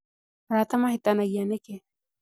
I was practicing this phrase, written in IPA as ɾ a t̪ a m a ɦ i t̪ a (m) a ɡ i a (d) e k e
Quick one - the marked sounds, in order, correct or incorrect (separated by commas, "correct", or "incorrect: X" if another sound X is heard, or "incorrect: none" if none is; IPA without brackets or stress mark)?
incorrect: n, incorrect: n